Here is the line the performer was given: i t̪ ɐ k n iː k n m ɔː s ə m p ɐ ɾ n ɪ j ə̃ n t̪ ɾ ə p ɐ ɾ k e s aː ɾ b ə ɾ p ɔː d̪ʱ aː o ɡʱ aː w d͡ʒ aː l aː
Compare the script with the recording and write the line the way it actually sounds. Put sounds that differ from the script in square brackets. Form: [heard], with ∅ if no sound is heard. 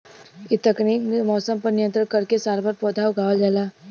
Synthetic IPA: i t̪ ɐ k n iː k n m ɔː s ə m p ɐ ɾ n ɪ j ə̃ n t̪ ɾ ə [k] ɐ ɾ k e s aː ɾ b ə ɾ p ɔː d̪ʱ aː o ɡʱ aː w d͡ʒ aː l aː